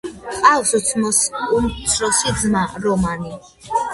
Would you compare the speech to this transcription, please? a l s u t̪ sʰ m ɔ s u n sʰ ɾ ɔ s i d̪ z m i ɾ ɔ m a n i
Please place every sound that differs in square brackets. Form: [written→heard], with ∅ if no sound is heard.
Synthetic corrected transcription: a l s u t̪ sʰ m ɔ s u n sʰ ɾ ɔ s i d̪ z m [i→a] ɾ ɔ m a n i